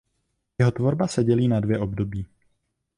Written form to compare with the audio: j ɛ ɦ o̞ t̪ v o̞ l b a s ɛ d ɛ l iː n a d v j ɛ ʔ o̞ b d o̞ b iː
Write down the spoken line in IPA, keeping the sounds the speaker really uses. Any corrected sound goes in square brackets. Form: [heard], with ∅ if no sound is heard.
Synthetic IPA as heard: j ɛ ɦ o̞ t̪ v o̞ [ɾ] b a s ɛ [ɟ] ɛ l iː n a d v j ɛ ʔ o̞ b d o̞ b iː

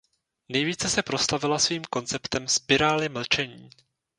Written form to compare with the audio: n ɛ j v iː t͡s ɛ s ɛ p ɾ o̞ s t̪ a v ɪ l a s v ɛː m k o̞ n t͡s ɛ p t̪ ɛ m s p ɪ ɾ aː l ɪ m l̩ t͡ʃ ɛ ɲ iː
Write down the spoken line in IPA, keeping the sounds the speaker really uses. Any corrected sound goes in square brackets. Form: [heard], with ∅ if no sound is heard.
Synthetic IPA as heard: n ɛ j v iː t͡s ɛ s ɛ p ɾ o̞ s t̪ a v ɪ l a s v [iː] m k o̞ n t͡s ɛ p t̪ ɛ m s p ɪ ɾ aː l ɪ m l̩ t͡ʃ ɛ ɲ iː

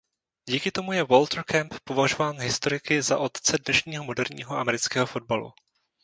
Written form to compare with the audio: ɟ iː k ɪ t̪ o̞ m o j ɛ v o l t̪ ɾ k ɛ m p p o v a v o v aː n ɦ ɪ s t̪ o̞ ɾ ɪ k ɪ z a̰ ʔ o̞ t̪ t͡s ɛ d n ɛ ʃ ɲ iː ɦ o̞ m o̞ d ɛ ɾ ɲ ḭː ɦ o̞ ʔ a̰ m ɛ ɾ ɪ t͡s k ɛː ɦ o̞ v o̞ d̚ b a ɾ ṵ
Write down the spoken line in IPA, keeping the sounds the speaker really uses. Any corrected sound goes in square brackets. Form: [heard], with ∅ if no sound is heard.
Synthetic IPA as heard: ɟ iː k ɪ t̪ o̞ m [u] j ɛ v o l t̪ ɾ k ɛ m p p o v a [ʒ] o v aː n ɦ ɪ s t̪ o̞ ɾ ɪ k ɪ z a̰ ʔ o̞ t̪ t͡s ɛ d n ɛ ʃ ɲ iː ɦ o̞ m o̞ d ɛ ɾ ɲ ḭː ɦ o̞ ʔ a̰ m ɛ ɾ ɪ t͡s k ɛː ɦ o̞ [f] o̞ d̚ b a [l] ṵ

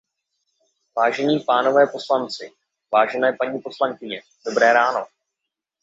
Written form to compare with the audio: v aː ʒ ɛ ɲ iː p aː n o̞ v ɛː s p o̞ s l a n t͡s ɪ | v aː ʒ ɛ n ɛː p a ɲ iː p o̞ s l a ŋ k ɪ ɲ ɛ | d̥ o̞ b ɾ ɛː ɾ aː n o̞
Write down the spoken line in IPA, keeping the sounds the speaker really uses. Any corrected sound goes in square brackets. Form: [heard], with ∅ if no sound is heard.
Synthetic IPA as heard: v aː ʒ ɛ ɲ iː p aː n o̞ v ɛː [∅] p o̞ s l a n t͡s ɪ | v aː ʒ ɛ n ɛː p a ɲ iː p o̞ s l a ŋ k ɪ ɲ ɛ | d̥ o̞ b ɾ ɛː ɾ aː n o̞

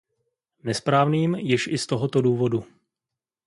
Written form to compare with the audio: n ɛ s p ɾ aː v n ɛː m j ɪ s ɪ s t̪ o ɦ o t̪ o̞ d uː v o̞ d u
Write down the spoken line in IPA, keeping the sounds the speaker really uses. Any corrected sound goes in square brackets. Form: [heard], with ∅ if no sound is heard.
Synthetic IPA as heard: n ɛ s p ɾ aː v n [iː] m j ɪ [ʃ] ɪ s t̪ o ɦ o t̪ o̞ d uː v o̞ d u

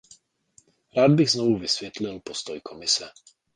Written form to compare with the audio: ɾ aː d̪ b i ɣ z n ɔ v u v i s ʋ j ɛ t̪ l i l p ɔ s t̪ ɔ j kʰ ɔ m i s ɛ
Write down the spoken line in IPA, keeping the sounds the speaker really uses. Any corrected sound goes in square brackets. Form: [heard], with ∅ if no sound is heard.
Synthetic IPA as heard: ɾ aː d̪ b i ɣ z n ɔ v u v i s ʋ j ɛ t̪ l i l p ɔ s t̪ ɔ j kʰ ɔ m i s ɛ

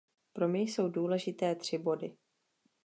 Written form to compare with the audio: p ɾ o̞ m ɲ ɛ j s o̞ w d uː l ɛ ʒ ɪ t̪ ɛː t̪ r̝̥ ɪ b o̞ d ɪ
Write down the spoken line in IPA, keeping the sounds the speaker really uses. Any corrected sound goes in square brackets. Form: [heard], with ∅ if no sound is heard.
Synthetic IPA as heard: p ɾ o̞ m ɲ ɛ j s o̞ w d uː l ɛ ʒ ɪ t̪ ɛː t̪ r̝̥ ɪ b o̞ d ɪ

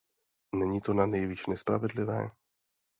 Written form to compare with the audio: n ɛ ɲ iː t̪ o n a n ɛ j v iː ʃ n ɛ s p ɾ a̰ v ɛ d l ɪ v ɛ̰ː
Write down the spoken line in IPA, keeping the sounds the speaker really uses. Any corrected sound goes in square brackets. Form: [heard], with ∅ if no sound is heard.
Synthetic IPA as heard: n ɛ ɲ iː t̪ o n a n ɛ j v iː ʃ n ɛ s p ɾ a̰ v ɛ d l ɪ v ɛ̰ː

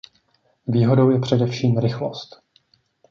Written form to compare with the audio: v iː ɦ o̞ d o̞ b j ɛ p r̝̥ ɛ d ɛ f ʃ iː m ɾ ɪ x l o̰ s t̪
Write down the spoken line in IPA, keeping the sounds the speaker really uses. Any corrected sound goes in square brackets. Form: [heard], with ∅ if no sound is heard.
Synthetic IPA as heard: v iː ɦ o̞ d o̞ [w] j ɛ p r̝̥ ɛ d ɛ f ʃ iː m ɾ ɪ x l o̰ s t̪

